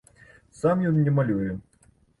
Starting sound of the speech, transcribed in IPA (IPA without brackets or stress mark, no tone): s